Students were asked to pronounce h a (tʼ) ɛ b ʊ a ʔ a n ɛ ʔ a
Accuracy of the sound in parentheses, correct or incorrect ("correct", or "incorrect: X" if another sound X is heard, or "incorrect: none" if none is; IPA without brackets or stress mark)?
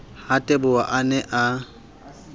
correct